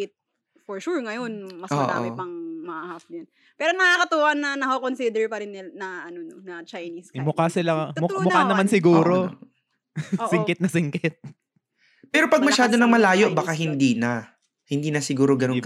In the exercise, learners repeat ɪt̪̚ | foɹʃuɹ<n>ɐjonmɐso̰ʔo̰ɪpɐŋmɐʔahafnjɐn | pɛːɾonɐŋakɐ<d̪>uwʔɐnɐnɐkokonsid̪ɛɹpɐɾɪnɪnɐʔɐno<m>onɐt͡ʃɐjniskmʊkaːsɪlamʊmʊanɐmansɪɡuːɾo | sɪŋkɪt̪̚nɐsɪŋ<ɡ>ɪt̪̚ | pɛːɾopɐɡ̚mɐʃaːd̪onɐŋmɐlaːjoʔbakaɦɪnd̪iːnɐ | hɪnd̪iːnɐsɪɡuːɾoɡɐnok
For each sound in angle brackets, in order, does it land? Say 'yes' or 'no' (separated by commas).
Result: no, no, no, no